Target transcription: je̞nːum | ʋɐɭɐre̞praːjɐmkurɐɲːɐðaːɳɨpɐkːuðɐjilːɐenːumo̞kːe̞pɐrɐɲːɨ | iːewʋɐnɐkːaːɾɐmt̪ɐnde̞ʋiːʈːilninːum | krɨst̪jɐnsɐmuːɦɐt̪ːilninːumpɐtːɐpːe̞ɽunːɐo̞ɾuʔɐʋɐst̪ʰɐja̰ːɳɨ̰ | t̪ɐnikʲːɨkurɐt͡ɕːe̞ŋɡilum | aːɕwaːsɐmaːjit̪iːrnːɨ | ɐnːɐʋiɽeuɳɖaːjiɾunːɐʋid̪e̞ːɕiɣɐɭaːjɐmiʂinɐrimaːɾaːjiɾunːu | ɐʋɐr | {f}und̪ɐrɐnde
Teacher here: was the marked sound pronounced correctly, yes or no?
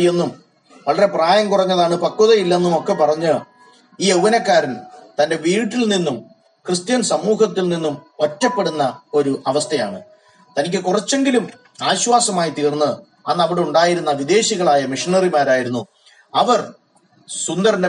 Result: no